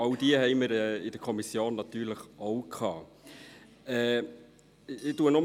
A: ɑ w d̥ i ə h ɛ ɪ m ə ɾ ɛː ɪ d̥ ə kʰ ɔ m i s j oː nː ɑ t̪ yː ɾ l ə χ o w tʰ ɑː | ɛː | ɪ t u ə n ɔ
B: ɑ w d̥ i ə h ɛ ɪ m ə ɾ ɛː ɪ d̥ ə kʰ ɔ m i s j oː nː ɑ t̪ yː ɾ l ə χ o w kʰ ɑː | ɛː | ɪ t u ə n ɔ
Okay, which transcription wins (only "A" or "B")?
B